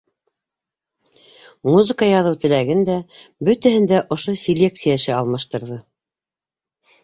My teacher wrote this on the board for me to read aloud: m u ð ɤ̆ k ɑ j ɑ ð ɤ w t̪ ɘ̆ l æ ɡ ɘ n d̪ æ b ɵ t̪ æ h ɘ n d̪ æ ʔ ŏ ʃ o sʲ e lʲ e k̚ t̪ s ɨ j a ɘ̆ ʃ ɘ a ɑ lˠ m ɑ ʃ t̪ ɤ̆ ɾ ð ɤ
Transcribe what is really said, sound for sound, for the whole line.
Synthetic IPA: m u z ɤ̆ k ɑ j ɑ ð ɤ w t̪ ɘ̆ l æ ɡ ɘ n d̪ æ b ɵ t̪ æ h ɘ n d̪ æ ʔ ŏ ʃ o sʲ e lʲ e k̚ t̪ s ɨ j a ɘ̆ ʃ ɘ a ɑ lˠ m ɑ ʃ t̪ ɤ̆ ɾ ð ɤ